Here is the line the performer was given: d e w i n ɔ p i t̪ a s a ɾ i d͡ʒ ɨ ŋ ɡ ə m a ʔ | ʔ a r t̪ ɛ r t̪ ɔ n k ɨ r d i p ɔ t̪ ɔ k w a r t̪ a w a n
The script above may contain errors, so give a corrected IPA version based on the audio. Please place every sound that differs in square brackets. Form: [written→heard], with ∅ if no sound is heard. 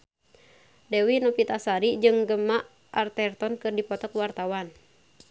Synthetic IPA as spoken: d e w i n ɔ p i t̪ a s a ɾ i d͡ʒ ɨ ŋ ɡ ə m a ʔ | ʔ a r t̪ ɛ r t̪ ɔ n k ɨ r d i p ɔ t̪ ɔ k w a r t̪ a w a n